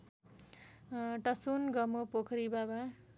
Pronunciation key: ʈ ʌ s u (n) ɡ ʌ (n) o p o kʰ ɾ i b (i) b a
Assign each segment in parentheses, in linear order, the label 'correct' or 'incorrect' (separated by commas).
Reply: correct, incorrect, incorrect